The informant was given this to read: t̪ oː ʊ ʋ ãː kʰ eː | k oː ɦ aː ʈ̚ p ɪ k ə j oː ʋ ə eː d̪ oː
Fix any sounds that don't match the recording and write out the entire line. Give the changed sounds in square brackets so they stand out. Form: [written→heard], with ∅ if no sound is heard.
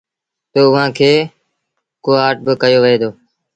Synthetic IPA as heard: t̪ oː ʊ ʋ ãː kʰ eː | k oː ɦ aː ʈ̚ [p→b] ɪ k ə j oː ʋ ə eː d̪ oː

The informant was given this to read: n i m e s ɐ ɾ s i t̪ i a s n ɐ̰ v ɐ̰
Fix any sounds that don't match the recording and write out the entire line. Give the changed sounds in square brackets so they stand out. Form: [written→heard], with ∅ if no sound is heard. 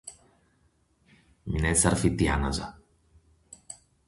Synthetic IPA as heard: [n→m] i [m→n] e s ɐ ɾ [s→f] i t̪ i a [s→∅] n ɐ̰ [v→z] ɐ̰

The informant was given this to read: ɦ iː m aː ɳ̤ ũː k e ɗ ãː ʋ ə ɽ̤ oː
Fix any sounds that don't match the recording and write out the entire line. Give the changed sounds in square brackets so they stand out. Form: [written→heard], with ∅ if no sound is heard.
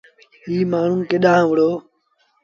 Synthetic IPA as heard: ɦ iː m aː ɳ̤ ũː k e ɗ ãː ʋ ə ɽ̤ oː

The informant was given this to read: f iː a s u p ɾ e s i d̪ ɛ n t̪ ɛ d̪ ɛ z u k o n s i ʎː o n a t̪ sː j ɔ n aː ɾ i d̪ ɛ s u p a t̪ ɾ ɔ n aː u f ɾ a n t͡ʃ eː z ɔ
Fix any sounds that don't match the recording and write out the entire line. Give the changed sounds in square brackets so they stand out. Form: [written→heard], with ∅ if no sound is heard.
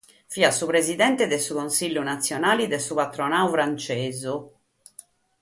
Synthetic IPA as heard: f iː a s u p ɾ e [s→z] i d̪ ɛ n t̪ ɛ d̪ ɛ [z→s] u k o n s i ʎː [o→u] n a t̪ sː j ɔ n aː [ɾ→l] i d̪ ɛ s u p a t̪ ɾ ɔ n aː u f ɾ a n t͡ʃ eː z [ɔ→u]

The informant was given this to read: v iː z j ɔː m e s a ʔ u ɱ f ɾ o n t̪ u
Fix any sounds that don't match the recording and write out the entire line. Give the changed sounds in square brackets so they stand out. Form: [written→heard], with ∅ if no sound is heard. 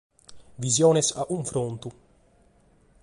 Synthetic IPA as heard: v [iː→i] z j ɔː [m→n] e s a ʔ u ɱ f ɾ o n t̪ u

